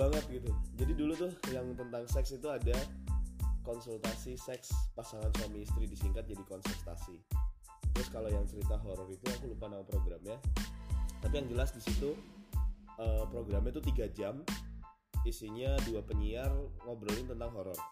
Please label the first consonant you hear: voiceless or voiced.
voiced